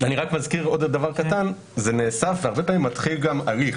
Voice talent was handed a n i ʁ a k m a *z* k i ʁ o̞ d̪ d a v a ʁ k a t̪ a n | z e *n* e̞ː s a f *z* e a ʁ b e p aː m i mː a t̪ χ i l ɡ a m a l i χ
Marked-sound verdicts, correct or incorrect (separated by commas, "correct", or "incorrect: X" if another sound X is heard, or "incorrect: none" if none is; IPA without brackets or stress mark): correct, correct, incorrect: v